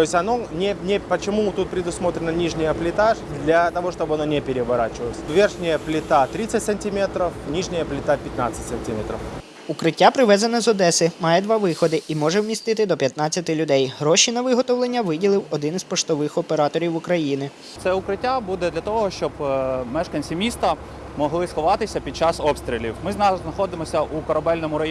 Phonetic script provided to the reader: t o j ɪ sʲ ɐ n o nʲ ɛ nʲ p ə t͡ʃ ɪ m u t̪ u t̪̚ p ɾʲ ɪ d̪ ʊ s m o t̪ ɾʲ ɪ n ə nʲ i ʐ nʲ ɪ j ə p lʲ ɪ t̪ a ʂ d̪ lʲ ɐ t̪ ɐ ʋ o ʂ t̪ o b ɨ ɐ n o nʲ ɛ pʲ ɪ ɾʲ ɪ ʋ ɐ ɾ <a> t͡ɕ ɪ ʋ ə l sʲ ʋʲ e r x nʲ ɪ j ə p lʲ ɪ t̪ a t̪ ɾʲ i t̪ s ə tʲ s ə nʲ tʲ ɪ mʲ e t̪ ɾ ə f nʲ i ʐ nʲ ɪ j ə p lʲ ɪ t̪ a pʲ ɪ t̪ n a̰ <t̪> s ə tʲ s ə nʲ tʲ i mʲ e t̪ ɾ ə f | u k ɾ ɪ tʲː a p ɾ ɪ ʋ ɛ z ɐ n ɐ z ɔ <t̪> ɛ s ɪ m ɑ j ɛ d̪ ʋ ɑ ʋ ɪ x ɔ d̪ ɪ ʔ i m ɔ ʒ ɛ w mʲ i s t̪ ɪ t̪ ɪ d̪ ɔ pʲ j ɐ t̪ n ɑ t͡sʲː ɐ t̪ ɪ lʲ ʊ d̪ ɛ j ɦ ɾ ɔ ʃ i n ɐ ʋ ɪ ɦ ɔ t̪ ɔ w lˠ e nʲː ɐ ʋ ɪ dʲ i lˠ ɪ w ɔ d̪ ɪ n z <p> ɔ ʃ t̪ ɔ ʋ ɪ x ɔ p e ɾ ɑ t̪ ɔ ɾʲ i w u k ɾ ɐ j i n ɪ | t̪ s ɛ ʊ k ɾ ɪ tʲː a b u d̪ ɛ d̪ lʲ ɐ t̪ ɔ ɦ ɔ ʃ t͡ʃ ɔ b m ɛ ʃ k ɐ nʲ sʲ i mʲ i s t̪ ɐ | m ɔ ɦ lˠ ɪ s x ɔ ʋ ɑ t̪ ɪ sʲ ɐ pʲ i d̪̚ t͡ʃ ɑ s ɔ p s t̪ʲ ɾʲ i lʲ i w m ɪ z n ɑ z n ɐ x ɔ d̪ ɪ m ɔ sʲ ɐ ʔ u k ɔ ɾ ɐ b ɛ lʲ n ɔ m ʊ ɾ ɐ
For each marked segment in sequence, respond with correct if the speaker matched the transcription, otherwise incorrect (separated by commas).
correct, correct, incorrect, correct